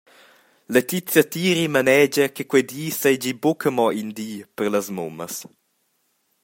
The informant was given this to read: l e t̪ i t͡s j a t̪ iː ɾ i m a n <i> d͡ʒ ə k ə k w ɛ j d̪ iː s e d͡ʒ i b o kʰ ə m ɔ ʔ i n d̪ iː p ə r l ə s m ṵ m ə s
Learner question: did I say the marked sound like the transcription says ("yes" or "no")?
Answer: no